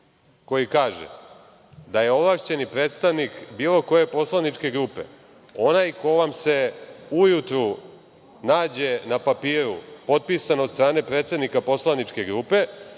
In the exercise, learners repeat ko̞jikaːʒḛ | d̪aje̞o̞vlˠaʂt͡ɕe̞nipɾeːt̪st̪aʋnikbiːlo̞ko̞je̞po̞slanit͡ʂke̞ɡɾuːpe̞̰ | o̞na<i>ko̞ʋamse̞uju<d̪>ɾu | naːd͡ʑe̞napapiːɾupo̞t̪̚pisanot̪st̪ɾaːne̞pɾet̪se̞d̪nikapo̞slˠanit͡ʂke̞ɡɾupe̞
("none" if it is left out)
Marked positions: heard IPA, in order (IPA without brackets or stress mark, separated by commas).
j, t̪